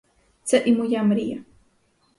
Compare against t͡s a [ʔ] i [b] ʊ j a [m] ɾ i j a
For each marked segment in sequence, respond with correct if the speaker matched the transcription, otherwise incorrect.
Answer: correct, incorrect: m, correct

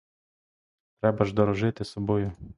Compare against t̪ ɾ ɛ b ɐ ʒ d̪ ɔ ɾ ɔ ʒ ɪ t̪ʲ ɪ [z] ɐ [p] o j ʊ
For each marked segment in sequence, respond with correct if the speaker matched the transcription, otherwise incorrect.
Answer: incorrect: s, incorrect: b

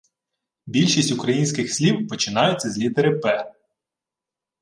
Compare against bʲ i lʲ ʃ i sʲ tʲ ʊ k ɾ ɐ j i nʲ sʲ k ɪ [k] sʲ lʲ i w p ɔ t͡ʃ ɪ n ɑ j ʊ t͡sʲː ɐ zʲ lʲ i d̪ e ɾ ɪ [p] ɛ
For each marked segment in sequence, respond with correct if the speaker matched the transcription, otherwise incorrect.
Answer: incorrect: x, correct

